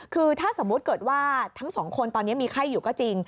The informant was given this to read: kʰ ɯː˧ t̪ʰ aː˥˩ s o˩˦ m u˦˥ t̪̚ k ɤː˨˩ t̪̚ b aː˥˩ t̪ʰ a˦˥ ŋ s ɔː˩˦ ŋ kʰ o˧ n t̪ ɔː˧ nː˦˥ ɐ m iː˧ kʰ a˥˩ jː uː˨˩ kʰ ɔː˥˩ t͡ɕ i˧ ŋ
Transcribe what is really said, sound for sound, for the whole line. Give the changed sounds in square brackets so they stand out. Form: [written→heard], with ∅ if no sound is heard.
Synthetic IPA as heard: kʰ ɯː˧ t̪ʰ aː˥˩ s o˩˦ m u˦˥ t̪̚ k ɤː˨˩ t̪̚ [b→w] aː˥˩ t̪ʰ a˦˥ ŋ s ɔː˩˦ ŋ kʰ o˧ n t̪ ɔː˧ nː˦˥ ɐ m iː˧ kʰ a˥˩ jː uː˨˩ [kʰ→k] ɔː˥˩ t͡ɕ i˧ ŋ